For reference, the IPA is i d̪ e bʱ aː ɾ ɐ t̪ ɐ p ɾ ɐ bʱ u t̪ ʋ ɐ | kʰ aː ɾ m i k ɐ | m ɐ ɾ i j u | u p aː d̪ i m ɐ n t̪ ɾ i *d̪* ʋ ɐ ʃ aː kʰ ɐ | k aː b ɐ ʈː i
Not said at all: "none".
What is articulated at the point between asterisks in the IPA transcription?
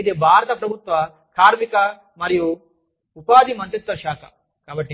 t̪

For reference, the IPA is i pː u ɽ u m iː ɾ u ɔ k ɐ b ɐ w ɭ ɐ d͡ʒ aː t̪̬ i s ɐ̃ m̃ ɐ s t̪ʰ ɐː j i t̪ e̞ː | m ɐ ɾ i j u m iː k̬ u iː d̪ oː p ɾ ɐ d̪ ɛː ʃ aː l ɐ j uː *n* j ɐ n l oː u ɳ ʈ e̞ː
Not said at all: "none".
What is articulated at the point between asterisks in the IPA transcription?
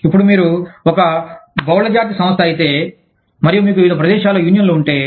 n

